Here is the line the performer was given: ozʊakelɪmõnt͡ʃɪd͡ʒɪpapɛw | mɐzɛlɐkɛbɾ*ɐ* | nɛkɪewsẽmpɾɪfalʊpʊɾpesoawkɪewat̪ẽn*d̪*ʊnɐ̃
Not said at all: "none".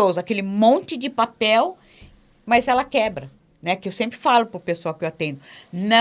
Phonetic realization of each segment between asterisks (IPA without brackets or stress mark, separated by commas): ɐ, d̪